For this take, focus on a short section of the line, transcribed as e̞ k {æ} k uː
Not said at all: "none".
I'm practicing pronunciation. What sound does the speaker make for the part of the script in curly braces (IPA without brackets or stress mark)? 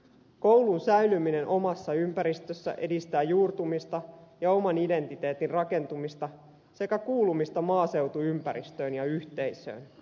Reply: æ